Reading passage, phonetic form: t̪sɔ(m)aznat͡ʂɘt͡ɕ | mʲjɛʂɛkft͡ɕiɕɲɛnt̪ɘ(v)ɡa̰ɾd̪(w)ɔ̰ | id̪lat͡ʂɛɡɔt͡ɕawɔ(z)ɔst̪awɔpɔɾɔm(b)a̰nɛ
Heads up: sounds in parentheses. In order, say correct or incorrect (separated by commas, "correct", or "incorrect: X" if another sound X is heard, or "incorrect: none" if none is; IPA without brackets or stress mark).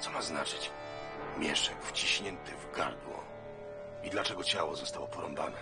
correct, correct, correct, correct, correct